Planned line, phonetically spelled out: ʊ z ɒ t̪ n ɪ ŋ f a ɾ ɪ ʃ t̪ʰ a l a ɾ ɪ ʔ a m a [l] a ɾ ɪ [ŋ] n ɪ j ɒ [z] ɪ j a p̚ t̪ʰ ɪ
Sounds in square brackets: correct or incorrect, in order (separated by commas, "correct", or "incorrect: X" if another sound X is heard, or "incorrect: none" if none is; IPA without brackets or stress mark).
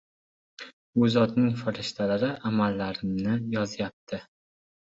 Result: incorrect: lː, incorrect: m, correct